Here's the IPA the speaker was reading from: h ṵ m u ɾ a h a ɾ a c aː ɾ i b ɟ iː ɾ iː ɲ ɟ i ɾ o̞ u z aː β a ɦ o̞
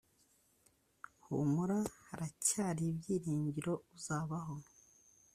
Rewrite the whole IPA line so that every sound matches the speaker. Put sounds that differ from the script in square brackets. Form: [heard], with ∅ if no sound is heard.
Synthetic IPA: h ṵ m u ɾ a h a ɾ a c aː ɾ i b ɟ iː ɾ iː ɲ ɟ i ɾ o̞ u z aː β a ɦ o̞